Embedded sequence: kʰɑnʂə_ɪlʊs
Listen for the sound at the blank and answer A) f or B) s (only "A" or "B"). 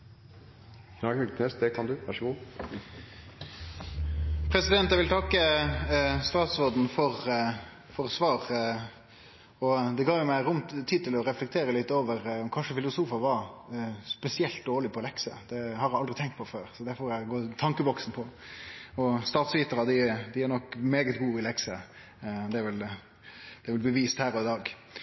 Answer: A